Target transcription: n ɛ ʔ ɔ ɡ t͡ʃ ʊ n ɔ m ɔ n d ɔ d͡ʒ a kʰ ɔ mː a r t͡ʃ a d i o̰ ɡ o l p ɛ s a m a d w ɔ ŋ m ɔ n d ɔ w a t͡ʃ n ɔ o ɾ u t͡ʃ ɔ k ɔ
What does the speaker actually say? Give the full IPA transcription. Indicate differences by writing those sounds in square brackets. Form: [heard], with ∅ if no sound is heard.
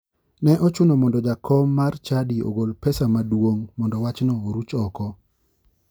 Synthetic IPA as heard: n ɛ ʔ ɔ [∅] t͡ʃ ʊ n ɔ m ɔ n d ɔ d͡ʒ a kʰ ɔ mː a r t͡ʃ a d i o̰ ɡ o l p ɛ s a m a d w [o] ŋ m ɔ n d ɔ w a t͡ʃ n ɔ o ɾ u t͡ʃ ɔ k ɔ